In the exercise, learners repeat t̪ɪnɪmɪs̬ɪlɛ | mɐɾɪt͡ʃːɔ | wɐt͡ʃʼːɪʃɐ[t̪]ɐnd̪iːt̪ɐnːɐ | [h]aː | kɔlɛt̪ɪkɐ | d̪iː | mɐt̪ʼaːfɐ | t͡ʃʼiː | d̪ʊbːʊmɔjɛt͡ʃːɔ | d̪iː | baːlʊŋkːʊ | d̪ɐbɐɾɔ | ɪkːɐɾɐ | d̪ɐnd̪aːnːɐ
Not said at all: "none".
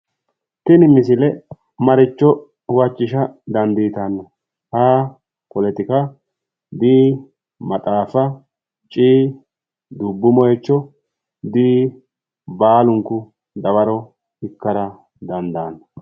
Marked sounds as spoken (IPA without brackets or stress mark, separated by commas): d̪, h